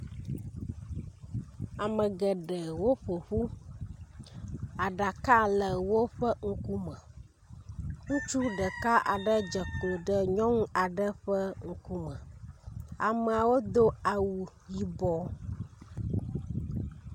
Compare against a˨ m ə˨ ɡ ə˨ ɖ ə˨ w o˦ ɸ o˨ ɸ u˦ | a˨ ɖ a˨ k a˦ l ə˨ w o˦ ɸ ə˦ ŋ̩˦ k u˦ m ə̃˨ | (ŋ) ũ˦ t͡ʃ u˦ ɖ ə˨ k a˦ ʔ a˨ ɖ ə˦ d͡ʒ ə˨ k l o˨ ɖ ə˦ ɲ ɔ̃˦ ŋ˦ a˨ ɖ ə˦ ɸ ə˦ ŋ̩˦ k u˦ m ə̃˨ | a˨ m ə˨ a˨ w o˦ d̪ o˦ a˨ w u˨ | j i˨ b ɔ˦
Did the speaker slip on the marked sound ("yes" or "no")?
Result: no